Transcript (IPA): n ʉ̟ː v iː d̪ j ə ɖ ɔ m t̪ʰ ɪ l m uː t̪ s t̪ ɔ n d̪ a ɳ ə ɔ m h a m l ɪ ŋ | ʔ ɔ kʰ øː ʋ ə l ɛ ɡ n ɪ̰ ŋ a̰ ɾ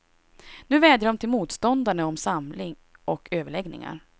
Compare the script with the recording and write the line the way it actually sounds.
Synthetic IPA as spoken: n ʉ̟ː v ɛː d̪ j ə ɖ ɔ m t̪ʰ ɪ l m uː t̪ s t̪ ɔ n d̪ a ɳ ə ɔ m s a m l ɪ ŋ | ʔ ɔ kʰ øː v ə ɭ ɛ ɡ n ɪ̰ ŋ a̰ ɾ